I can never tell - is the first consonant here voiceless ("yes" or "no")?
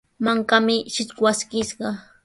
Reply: no